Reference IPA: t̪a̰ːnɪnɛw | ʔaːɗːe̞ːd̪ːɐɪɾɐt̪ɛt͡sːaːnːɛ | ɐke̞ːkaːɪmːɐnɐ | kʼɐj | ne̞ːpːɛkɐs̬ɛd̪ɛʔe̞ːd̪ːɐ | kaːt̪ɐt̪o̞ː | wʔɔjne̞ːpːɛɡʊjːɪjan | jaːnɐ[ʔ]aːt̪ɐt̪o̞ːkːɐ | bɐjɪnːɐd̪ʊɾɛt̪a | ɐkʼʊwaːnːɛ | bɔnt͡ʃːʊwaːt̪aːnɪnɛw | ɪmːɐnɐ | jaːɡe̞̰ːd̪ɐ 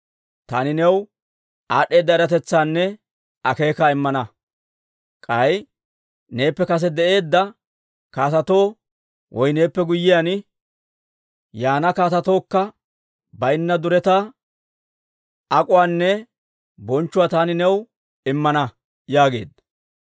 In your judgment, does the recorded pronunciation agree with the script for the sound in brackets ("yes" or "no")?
no